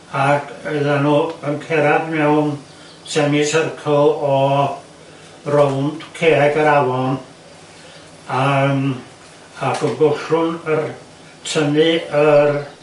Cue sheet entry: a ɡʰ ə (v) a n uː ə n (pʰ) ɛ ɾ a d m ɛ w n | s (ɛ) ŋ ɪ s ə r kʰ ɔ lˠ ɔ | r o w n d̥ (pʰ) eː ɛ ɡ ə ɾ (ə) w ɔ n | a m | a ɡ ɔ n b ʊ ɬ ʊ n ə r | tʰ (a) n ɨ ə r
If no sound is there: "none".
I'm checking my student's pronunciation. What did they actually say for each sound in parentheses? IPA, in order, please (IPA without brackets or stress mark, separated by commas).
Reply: ð, kʰ, ɛ, kʰ, a, ə